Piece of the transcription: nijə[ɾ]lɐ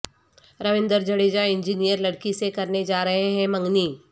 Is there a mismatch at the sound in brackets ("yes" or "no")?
no